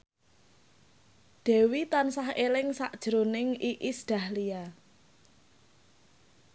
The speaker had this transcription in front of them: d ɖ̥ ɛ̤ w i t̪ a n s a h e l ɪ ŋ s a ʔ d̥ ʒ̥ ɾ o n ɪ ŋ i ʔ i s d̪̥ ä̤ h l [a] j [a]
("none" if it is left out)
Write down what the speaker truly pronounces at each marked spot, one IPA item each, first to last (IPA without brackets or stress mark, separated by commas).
i, a